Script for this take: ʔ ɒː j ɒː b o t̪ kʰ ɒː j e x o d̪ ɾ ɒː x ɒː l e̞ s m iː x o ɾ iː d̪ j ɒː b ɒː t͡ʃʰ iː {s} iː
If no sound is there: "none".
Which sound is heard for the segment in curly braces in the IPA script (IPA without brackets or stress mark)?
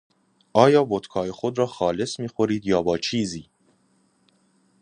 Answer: z